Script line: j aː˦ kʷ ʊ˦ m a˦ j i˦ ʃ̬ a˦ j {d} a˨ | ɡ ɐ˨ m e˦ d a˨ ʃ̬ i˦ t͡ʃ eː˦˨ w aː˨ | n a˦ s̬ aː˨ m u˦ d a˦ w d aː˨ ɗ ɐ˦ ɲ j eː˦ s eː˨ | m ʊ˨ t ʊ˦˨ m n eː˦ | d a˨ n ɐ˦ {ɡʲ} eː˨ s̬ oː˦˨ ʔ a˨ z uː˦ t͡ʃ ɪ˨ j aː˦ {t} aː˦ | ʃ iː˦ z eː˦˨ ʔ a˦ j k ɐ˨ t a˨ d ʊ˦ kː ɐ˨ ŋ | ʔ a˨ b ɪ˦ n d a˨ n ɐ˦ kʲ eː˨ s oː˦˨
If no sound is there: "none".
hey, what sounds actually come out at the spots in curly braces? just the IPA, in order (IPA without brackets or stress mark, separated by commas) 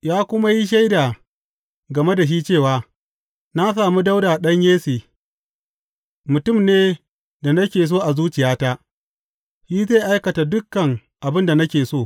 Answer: d, kʲ, t